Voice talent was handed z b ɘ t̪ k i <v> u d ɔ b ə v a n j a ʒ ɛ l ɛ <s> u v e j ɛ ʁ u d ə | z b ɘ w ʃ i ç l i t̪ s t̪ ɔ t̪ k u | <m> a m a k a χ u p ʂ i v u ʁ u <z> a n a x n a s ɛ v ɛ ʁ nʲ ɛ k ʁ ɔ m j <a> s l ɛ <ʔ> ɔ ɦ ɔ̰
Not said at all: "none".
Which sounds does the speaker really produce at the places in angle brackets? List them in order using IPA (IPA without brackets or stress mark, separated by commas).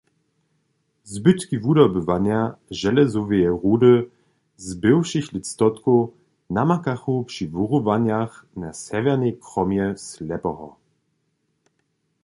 v, z, n, v, ɛ, p